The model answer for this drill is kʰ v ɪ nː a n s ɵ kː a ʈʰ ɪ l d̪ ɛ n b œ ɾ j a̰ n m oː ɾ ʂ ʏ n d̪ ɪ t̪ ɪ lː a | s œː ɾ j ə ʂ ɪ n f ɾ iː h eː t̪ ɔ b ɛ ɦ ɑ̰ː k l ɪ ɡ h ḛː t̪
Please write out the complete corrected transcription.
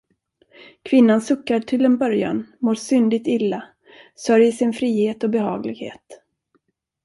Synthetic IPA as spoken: kʰ v ɪ nː a n s ɵ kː a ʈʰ ɪ l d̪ ɛ n b œ ɾ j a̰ n m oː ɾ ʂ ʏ n d̪ ɪ t̪ ɪ lː a | s œ ɾ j ə ʂ ɪ n f ɾ iː h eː t̪ ɔ b ɛ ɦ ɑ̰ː ɡ l ɪ ɡ h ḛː t̪